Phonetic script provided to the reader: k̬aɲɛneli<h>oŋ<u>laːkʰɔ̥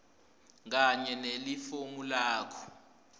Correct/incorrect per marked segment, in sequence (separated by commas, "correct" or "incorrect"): incorrect, correct